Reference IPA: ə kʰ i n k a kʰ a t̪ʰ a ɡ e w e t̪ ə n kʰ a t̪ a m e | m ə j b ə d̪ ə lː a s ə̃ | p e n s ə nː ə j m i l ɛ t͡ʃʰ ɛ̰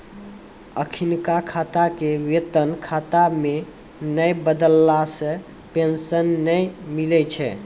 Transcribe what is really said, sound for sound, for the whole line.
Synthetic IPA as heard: ə kʰ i n k a kʰ a t̪ a k e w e t̪ ə n kʰ a t̪ a m e | n ə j b ə d̪ ə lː a s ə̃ | p e n s ə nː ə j m i l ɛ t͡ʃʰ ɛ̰